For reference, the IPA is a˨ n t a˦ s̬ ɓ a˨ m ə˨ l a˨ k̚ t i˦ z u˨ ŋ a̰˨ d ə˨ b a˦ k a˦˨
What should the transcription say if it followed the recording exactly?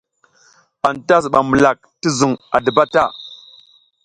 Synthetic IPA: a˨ n t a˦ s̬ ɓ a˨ m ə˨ l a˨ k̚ t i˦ z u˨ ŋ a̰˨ d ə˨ b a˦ t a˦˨